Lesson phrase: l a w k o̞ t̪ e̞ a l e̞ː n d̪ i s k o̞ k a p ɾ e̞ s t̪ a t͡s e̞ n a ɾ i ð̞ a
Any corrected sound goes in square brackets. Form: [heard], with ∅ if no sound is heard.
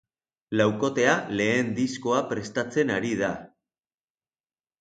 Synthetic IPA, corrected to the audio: l a w k o̞ t̪ e̞ a l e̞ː n d̪ i s k o̞ [∅] a p ɾ e̞ s t̪ a t͡s e̞ n a ɾ i ð̞ a